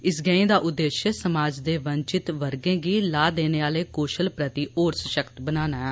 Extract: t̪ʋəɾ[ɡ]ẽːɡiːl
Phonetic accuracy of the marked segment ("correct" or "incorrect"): correct